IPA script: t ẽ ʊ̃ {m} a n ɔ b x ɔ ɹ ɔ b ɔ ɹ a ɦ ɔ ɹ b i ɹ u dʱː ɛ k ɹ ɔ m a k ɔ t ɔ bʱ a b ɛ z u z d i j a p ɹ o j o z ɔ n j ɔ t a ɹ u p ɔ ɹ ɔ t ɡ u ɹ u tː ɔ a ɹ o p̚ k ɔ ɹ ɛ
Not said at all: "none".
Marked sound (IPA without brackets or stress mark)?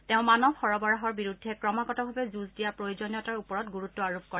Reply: m